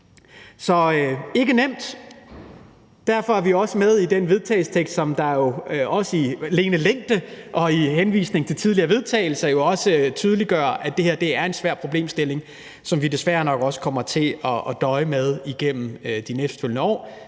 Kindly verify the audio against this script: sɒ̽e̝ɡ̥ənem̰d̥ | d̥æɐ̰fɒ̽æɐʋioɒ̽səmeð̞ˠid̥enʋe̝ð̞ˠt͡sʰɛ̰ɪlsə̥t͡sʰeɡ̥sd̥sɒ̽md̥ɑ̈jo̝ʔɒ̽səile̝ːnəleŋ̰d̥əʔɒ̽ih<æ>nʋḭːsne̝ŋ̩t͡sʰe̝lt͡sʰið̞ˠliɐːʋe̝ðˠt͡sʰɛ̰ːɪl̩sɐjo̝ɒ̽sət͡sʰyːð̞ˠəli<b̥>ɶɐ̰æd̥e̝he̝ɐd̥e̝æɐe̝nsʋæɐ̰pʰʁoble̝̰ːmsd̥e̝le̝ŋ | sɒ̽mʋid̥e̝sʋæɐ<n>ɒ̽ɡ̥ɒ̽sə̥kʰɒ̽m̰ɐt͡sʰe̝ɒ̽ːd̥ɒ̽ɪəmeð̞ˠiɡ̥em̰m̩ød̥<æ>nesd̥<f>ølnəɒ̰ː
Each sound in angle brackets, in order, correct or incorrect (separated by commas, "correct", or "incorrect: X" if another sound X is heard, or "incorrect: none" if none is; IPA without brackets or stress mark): incorrect: e, incorrect: ɡ̥, correct, incorrect: i, correct